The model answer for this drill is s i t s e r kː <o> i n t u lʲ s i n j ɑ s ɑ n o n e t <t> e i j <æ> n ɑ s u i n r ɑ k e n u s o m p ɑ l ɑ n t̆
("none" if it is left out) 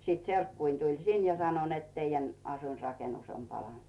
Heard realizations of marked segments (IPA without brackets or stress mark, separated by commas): u, t, æ